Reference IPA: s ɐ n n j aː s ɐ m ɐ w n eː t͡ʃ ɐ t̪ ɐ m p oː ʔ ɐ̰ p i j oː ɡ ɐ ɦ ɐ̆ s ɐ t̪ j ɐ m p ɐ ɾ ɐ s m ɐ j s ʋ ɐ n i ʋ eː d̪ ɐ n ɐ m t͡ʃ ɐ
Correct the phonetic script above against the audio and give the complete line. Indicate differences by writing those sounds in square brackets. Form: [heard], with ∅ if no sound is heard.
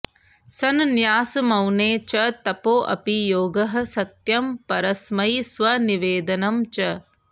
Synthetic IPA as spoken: s ɐ n n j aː s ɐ m ɐ w n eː t͡ʃ ɐ t̪ ɐ [∅] p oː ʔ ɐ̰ p i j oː ɡ ɐ ɦ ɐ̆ s ɐ t̪ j ɐ m p ɐ ɾ ɐ s m ɐ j s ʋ ɐ n i ʋ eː d̪ ɐ n ɐ m t͡ʃ ɐ